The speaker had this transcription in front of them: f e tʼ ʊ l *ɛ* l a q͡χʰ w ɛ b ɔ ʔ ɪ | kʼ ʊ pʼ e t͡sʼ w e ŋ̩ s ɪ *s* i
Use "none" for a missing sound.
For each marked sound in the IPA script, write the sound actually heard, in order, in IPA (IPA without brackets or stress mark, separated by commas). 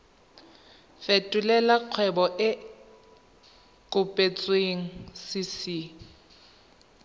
ɛ, s